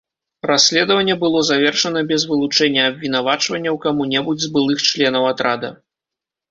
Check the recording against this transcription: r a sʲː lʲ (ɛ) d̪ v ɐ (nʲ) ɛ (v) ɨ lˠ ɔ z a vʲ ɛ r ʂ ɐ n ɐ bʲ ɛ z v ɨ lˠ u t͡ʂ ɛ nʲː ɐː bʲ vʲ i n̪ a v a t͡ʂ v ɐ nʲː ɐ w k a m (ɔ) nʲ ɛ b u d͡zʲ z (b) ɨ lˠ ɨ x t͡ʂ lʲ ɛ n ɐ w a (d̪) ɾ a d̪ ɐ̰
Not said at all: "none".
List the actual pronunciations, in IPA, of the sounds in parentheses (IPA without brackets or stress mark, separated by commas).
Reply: ɛ, nʲː, b, u, b, t̪